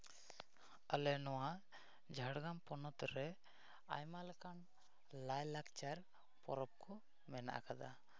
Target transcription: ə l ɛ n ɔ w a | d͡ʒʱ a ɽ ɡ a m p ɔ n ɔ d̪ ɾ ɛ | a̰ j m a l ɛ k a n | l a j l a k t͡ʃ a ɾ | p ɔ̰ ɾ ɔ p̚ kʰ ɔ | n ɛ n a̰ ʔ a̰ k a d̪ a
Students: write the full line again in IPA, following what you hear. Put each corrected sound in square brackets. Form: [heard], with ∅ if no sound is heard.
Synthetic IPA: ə l ɛ n ɔ w a | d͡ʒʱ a ɽ ɡ a m p ɔ n ɔ [t̪] ɾ ɛ | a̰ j m a l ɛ k a n | l a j l a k t͡ʃ a ɾ | p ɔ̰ ɾ ɔ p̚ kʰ ɔ | [m] ɛ n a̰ ʔ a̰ k a d̪ a